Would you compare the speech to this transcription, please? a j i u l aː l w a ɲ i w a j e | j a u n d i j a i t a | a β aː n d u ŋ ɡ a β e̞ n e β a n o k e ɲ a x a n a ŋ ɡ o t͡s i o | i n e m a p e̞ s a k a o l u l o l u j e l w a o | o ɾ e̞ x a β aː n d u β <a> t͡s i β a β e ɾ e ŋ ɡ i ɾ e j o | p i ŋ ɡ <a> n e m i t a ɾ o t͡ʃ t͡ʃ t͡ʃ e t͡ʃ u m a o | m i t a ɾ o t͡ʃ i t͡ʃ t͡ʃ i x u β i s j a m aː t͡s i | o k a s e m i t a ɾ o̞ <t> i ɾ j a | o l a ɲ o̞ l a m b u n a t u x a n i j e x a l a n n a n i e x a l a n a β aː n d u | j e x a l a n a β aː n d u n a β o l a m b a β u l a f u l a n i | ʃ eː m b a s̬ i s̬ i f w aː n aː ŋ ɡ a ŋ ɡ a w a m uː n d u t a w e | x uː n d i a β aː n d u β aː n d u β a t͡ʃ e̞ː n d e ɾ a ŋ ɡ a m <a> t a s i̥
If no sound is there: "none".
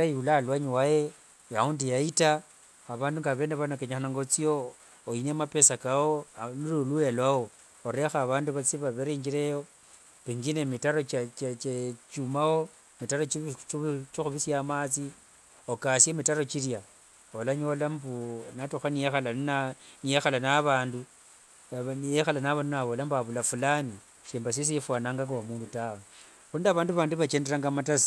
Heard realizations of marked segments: a, i, t͡ʃ, a

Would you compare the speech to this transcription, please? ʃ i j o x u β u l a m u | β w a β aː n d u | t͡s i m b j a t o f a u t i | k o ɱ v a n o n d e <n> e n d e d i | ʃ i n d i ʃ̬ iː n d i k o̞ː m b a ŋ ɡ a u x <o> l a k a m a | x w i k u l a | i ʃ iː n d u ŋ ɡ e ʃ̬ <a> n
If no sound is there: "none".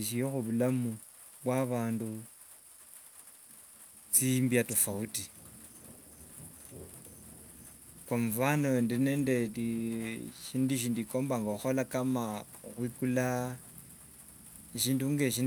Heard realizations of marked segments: n, o, i

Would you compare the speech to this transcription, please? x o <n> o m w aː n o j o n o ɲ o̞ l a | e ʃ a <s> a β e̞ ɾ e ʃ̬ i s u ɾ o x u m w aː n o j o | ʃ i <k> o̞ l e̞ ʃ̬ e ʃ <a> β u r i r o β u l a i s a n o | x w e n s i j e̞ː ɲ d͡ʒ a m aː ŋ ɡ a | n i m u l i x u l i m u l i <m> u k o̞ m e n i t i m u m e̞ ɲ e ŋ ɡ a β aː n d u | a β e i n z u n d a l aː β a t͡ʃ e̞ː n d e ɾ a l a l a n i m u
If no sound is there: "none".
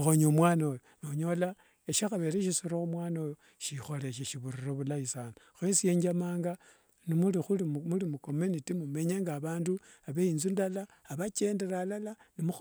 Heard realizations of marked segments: ɲ, x, x, i, m

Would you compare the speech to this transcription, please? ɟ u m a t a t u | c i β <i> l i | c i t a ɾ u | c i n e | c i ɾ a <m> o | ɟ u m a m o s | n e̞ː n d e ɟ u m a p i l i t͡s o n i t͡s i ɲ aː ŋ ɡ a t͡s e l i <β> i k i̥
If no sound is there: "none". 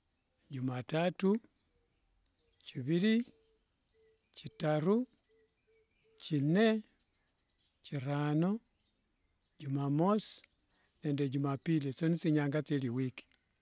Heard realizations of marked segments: i, n, w

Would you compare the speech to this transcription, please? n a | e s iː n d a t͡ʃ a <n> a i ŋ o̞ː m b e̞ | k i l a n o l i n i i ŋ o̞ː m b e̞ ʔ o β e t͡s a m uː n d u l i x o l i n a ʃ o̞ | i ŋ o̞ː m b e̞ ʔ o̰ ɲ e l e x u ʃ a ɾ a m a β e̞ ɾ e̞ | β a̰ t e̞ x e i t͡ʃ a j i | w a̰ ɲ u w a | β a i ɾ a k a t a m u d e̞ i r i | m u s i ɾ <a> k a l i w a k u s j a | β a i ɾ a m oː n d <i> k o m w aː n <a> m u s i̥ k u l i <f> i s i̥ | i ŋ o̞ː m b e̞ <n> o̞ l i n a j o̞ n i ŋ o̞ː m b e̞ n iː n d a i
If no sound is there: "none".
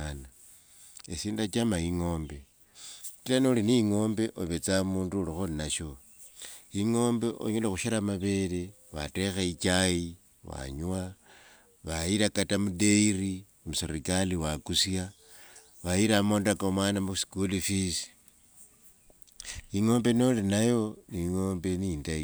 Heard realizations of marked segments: m, i, a, a, f, n

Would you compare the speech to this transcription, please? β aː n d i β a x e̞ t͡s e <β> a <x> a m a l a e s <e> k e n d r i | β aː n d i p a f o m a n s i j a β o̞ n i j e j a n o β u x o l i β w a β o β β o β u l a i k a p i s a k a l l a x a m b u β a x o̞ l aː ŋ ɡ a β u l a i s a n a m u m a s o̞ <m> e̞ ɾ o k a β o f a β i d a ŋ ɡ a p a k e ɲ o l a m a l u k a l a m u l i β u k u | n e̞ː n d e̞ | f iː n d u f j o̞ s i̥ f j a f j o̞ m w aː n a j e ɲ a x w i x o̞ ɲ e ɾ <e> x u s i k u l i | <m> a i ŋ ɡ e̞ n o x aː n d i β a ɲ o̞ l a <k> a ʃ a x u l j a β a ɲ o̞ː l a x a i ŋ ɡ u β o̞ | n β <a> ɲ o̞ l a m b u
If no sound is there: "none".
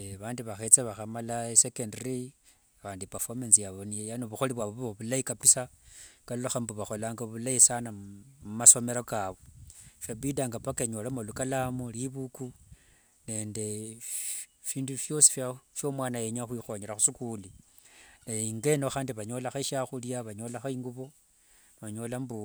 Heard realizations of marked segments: β, x, e, m, a, n, x, a

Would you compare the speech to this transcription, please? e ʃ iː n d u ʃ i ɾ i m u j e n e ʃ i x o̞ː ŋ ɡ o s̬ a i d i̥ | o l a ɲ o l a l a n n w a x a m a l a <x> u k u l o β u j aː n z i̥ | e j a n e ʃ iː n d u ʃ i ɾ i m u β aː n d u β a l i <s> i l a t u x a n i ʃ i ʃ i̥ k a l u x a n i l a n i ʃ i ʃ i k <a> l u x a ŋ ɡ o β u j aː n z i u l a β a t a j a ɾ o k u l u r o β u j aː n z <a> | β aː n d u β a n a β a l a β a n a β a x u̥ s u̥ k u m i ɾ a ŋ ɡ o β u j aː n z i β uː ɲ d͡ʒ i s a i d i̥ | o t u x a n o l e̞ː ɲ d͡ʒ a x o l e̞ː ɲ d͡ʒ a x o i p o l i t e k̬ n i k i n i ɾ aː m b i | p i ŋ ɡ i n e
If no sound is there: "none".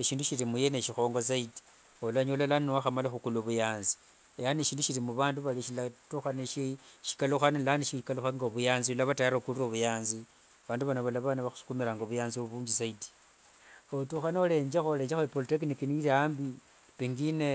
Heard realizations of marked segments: x, ʃ, a, i

